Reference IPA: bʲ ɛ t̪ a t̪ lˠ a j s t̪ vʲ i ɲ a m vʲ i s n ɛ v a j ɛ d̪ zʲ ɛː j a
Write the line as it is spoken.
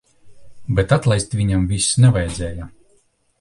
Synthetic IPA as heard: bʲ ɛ t̪ a t̪ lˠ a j s t̪ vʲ i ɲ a m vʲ i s n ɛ v a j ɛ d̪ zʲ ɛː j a

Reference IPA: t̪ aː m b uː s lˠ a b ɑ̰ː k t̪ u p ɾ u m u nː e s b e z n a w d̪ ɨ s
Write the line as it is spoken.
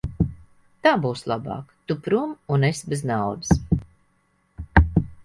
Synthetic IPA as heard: t̪ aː b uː s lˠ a b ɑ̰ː k t̪ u p ɾ u m u n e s b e z n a w d̪ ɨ s

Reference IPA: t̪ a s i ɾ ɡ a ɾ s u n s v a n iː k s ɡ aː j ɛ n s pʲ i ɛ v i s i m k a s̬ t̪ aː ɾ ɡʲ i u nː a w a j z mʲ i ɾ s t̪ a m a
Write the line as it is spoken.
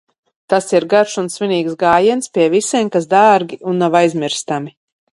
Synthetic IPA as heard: t̪ a s i ɾ ɡ a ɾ ʃ u n s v i n iː k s ɡ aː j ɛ n s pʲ i ɛ v i s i m k a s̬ d̪ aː ɾ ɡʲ i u nː a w a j z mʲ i ɾ s t̪ a m i

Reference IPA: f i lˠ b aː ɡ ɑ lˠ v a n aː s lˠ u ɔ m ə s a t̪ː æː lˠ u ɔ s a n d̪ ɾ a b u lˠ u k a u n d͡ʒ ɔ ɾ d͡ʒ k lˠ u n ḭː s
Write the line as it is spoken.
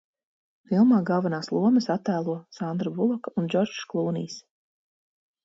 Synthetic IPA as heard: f i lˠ m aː ɡ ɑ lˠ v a n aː s lˠ u ɔ m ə s a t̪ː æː lˠ u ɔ s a n d̪ ɾ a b u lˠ ɔ k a u n d͡ʒ ɔ ɾ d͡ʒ k lˠ uː n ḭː s

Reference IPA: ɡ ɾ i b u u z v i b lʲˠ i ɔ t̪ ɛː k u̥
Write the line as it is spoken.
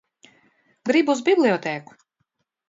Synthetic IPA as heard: ɡ ɾ i b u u z b i b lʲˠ i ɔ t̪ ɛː k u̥

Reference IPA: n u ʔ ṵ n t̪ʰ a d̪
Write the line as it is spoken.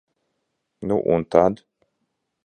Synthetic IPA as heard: n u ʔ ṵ n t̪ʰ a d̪

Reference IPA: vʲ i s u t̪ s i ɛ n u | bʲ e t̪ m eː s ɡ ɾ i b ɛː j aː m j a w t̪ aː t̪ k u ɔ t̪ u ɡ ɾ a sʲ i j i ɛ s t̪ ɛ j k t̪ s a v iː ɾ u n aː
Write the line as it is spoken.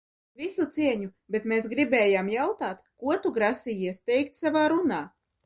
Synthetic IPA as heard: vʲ i s u t̪ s i ɛ ɲ u | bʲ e t̪ m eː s ɡ ɾ i b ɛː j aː m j a w t̪ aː t̪ k u ɔ t̪ u ɡ ɾ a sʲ i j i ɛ s t̪ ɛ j k t̪ s a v aː ɾ u n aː

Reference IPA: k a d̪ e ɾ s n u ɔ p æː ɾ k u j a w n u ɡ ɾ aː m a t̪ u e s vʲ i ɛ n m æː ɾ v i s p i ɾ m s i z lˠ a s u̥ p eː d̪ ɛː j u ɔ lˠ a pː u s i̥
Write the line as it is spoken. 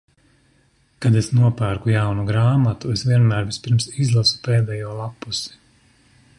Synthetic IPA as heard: k a d̪ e s n u ɔ p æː ɾ k u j a w n u ɡ ɾ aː m a t̪ u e s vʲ i ɛ n m æː ɾ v i s p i ɾ m s i z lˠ a s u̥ p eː d̪ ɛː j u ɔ lˠ a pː u s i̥

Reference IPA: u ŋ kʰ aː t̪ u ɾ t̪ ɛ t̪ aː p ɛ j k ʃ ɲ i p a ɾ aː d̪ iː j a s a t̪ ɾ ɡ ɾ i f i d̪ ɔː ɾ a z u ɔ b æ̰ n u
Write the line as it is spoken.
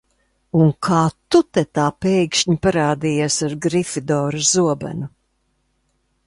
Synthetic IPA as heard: u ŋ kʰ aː t̪ u t̪ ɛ t̪ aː p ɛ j k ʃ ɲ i p a ɾ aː d̪ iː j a s a ɾ ɡ ɾ i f i d̪ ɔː ɾ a z u ɔ b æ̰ n u

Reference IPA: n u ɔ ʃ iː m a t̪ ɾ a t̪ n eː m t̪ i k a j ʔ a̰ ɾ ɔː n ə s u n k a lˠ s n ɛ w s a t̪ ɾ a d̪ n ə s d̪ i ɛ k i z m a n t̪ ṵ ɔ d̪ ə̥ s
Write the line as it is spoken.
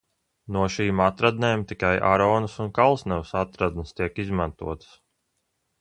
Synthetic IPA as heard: n u ɔ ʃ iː m a t̪ ɾ a d̪ n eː m t̪ i k a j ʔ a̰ ɾ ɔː n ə s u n k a lˠ s n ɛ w s a t̪ ɾ a d̪ n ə s t̪ i ɛ k i z m a n t̪ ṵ ɔ t̪ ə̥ s

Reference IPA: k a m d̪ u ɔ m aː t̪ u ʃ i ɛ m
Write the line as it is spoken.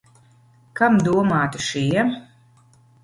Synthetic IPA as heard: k a m d̪ u ɔ m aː t̪ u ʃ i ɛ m

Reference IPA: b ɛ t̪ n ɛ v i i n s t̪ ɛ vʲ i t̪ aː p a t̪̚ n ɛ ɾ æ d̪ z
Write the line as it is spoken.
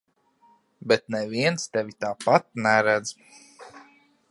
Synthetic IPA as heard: b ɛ t̪ n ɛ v i ɛ n s t̪ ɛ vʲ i t̪ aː p a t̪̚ n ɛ ɾ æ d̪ z

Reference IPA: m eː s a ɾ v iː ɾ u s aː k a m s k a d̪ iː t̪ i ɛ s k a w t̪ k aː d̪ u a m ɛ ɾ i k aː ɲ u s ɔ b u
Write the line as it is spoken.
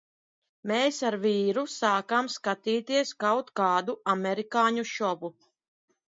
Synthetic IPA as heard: m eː s a ɾ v iː ɾ u s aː k a m s k a t̪ iː t̪ i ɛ s k a w t̪ k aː d̪ u a m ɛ ɾ i k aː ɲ u ʃ ɔ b u

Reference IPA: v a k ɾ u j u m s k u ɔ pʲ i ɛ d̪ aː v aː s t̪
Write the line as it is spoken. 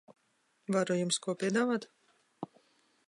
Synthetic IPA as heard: v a ɾ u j u m s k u ɔ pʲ i ɛ d̪ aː v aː t̪

